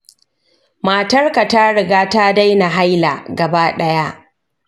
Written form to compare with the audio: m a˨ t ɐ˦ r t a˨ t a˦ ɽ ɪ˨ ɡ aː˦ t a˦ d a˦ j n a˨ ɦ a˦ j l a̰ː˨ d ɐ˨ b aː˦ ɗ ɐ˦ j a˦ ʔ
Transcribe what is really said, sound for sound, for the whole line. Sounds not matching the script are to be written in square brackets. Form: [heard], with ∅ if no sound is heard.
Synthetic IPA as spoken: m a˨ t ɐ˦ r [k] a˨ t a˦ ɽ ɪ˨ ɡ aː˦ t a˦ d a˦ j n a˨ ɦ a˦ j l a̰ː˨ [ɡ] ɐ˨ b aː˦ ɗ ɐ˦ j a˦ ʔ